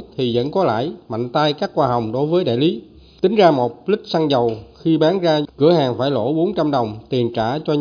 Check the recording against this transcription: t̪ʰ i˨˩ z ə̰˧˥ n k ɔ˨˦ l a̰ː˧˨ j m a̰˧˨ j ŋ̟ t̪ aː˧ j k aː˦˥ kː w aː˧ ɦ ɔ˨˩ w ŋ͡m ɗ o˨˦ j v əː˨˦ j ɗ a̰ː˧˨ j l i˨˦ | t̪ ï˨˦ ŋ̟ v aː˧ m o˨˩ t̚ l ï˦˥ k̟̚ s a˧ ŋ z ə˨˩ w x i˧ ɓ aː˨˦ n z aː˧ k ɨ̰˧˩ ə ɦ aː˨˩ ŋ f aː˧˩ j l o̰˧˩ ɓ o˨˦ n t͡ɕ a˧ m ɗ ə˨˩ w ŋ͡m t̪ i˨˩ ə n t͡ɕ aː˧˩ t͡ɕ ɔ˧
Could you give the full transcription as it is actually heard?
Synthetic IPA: t̪ʰ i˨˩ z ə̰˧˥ n k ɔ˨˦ l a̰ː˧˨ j m a̰˧˨ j ŋ̟ t̪ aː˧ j k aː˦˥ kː w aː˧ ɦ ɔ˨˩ w ŋ͡m ɗ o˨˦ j v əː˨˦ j ɗ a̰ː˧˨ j l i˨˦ | t̪ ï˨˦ ŋ̟ z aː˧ m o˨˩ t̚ l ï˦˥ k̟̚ s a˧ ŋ z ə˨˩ w x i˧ ɓ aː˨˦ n z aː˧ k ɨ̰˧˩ ə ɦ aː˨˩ ŋ f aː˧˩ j l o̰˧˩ ɓ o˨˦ n t͡ɕ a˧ m ɗ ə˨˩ w ŋ͡m t̪ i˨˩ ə n t͡ɕ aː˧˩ t͡ɕ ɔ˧